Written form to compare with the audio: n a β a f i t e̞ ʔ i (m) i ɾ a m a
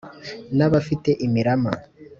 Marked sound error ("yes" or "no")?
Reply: no